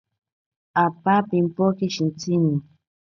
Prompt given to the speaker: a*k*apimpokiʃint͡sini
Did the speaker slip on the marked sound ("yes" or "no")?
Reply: yes